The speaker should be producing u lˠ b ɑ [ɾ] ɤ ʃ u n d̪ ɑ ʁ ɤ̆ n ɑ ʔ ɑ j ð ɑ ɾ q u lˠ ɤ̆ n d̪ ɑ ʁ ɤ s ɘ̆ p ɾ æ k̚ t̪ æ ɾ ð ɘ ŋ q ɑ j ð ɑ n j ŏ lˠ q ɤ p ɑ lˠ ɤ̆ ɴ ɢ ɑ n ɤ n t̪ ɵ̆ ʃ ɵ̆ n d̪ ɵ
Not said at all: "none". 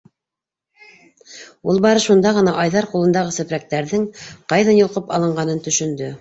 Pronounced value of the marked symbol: ɾ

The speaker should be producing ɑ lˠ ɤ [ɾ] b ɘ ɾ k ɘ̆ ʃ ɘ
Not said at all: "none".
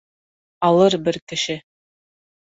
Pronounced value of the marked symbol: ɾ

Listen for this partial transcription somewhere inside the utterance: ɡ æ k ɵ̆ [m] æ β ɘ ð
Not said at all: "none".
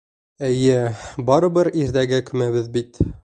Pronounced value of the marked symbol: m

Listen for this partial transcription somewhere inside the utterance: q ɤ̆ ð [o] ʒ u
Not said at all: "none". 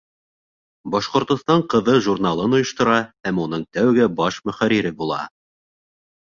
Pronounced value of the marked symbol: ɤ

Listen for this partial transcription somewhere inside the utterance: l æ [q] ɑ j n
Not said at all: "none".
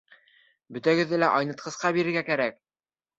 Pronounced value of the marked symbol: ʔ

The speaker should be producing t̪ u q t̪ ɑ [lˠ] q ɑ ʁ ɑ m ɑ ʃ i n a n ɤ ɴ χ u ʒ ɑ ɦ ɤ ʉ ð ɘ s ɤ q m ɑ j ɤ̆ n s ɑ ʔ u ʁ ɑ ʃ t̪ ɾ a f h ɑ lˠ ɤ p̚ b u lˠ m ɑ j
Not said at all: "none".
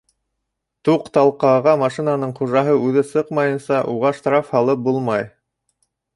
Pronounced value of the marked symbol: lˠ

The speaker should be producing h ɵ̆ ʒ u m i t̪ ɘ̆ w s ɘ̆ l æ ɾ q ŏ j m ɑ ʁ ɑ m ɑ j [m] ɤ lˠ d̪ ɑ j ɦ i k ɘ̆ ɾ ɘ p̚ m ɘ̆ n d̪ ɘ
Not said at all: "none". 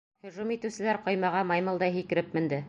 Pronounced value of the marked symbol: m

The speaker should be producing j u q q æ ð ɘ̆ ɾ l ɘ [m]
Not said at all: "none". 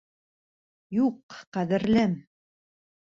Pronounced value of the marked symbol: m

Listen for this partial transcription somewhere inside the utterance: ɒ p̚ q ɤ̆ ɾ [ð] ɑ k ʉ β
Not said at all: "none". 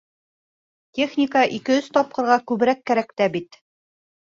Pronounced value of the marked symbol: ʁ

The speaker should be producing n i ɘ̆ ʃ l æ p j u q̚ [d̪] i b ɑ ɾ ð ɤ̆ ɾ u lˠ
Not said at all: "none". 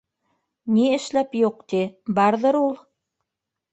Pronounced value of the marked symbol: t̪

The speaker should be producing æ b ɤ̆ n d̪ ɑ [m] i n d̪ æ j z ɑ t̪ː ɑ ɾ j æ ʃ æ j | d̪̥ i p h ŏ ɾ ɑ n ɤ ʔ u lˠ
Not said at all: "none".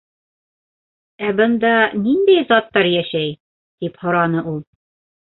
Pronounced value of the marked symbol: n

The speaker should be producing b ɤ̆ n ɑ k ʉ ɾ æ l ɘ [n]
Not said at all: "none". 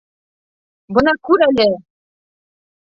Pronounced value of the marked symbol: none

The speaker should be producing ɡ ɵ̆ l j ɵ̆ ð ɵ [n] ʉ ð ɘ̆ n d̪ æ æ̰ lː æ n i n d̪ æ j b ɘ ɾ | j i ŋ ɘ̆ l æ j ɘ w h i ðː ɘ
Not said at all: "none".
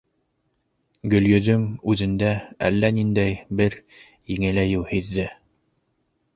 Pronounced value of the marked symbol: m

